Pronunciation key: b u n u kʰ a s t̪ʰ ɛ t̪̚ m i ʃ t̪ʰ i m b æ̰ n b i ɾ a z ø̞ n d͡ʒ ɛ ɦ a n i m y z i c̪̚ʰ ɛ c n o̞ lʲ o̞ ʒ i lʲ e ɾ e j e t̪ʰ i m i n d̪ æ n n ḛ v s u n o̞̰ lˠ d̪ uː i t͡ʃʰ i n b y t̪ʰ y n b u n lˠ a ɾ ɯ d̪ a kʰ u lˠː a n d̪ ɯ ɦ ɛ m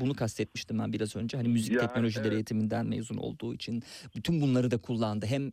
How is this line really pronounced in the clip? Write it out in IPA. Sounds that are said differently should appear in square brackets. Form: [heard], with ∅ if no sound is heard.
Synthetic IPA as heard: b u n u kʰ a s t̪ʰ ɛ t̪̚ m i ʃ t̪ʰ i m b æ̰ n b i ɾ a z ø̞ n d͡ʒ ɛ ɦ a n i m y z i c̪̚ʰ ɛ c n o̞ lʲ o̞ ʒ i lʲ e ɾ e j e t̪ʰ i m i n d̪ æ n [m] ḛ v [z] u n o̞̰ lˠ d̪ uː i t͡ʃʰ i n b y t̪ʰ y n b u n lˠ a ɾ ɯ d̪ a kʰ u lˠː a n d̪ ɯ ɦ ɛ m